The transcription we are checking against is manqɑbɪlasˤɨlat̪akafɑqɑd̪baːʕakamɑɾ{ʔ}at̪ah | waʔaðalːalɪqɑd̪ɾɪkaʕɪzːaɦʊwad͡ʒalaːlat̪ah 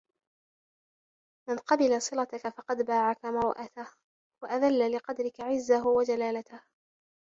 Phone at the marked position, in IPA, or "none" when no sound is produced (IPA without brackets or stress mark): ʔ